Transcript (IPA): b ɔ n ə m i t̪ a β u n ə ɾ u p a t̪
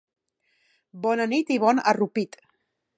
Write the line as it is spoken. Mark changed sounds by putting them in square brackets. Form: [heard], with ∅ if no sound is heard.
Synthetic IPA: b ɔ n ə [n] i t̪ [i] β [ɔ] n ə [r] u p [i] t̪